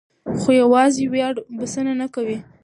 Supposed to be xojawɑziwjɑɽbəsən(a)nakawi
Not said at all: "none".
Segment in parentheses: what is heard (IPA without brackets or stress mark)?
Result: a